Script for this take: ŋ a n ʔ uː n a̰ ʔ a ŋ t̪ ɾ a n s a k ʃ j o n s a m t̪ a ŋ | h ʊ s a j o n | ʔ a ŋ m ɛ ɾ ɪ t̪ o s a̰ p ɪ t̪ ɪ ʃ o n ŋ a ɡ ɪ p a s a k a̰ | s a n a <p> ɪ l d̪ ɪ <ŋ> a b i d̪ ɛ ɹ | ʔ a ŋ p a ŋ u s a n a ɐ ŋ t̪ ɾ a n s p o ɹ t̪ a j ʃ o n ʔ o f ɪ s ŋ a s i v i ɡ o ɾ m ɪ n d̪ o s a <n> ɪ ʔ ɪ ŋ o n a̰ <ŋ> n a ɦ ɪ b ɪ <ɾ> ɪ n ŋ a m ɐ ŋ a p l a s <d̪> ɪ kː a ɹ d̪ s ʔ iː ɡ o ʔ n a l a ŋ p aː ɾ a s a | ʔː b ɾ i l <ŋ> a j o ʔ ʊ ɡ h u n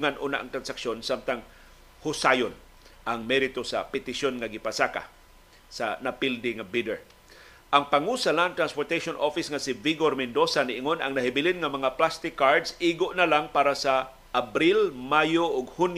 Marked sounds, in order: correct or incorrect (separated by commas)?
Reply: correct, correct, correct, correct, incorrect, incorrect, incorrect